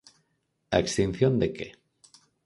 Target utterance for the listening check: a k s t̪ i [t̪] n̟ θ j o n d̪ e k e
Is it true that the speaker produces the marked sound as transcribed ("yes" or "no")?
no